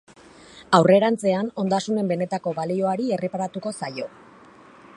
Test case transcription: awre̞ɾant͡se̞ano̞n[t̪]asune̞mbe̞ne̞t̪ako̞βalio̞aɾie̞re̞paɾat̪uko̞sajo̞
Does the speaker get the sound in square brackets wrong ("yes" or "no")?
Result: yes